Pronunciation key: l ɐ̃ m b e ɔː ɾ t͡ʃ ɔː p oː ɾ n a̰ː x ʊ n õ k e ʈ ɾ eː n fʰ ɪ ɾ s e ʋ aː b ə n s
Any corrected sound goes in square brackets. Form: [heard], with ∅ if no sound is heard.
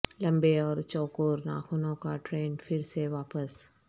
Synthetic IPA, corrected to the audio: l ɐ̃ m b e ɔː ɾ t͡ʃ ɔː [k] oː ɾ n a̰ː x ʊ n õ k [a] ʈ ɾ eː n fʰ ɪ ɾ s e ʋ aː [p] ə [∅] s

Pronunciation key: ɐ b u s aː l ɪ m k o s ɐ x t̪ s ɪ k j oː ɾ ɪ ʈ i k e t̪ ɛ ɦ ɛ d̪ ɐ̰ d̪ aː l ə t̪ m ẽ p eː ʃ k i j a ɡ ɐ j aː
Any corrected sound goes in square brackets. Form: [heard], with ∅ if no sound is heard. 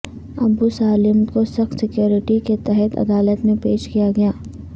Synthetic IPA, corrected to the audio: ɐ b u s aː l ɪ m k o s ɐ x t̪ s ɪ k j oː ɾ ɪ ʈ i k e t̪ ɛ ɦ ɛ [t̪] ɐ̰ d̪ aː l ə t̪ m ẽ p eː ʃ k i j a ɡ ɐ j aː

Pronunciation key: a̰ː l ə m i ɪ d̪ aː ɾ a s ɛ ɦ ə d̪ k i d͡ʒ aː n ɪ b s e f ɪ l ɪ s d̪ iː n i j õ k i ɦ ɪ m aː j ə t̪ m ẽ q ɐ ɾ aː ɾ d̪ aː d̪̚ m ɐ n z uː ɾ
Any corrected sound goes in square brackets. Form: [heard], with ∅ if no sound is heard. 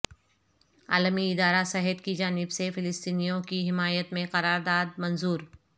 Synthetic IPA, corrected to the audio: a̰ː l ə m i ɪ d̪ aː ɾ a s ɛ ɦ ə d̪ k i d͡ʒ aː n ɪ b s e f ɪ l ɪ s [t̪] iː n i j õ k i ɦ ɪ m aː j ə t̪ m ẽ q ɐ ɾ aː ɾ d̪ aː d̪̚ m ɐ n z uː ɾ

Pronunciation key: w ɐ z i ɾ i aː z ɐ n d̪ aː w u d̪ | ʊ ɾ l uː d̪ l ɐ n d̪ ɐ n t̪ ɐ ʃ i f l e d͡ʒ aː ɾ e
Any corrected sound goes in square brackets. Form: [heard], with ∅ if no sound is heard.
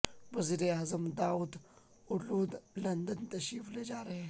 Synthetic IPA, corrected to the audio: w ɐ z i ɾ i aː z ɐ [m] d̪ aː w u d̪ | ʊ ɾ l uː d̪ l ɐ n d̪ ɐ n t̪ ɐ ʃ i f l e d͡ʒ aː ɾ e

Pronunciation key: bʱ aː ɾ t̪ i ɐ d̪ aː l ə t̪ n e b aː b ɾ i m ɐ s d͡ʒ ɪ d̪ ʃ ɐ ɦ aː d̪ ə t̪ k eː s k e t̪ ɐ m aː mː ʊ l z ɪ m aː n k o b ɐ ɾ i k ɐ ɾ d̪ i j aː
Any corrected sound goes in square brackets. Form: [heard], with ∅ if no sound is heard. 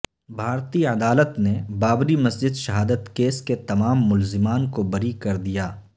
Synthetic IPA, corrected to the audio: bʱ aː ɾ t̪ i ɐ d̪ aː l ə t̪ n e b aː b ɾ i m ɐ s d͡ʒ ɪ d̪ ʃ ɐ ɦ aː d̪ ə t̪ k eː s k e t̪ ɐ m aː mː ʊ l z ɪ m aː n k o b ɐ ɾ i k ɐ ɾ d̪ i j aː

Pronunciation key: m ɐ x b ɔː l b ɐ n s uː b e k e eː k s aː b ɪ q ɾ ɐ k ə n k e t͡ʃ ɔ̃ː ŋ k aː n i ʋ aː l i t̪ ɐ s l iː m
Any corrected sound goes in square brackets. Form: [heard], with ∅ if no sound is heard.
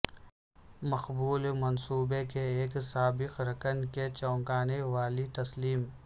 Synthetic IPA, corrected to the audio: m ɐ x b [uː] l [m] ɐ n s uː b e k e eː k s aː b ɪ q ɾ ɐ k ə n k e t͡ʃ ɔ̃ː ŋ k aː n [e] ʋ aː l i t̪ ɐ s l iː m

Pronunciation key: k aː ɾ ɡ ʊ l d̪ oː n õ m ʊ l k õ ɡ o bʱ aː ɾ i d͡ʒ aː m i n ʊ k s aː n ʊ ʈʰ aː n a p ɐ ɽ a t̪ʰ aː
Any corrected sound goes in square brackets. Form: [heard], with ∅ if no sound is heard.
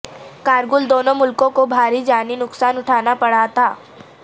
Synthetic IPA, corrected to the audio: k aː ɾ ɡ ʊ l d̪ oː n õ m ʊ l k õ [k] o bʱ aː ɾ i d͡ʒ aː [n] i n ʊ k s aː n ʊ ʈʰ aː n a p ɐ ɽ a t̪ʰ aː

